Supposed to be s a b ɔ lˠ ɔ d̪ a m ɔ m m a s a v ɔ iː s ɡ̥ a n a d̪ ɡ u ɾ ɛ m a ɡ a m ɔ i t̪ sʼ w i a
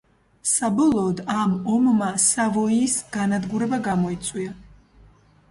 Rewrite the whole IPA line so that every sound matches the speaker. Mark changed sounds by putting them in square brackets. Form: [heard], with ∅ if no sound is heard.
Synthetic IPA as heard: s a b ɔ lˠ [ɔː] d̪ a m ɔ m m a s a v ɔ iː s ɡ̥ a n a d̪ ɡ u ɾ ɛ [b] a ɡ a m ɔ i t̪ sʼ w i a